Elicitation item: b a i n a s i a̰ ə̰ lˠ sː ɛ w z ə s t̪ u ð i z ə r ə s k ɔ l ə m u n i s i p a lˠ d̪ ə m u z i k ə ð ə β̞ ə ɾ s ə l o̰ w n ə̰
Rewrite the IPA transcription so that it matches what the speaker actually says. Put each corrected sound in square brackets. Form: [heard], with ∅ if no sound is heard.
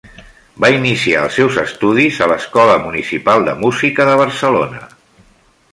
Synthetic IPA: b a i n [i] s i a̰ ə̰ lˠ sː ɛ w z ə s t̪ u ð i z ə [l] ə s k ɔ l ə m u n i s i p a lˠ d̪ ə m u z i k ə ð ə β̞ ə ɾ s ə l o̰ [∅] n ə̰